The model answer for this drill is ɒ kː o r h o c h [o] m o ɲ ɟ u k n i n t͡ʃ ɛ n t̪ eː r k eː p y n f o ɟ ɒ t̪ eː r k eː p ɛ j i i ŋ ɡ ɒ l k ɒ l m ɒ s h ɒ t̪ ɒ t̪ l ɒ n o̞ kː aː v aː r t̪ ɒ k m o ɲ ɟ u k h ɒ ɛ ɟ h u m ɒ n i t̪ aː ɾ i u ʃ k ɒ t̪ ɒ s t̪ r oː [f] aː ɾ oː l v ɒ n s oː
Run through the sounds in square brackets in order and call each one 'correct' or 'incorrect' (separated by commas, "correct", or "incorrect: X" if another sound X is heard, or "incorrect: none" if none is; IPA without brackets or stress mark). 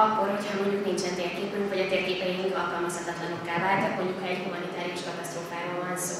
incorrect: ɒ, correct